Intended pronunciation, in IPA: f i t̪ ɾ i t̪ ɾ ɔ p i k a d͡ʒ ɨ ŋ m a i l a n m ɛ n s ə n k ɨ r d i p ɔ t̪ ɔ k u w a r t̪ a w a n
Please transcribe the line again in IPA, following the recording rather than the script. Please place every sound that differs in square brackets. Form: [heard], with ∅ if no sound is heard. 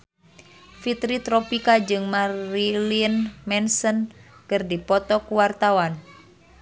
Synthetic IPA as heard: f i t̪ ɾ i t̪ ɾ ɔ p i k a d͡ʒ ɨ ŋ m a i l [i] n m ɛ n s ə n k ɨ r d i p ɔ t̪ ɔ k u w a r t̪ a w a n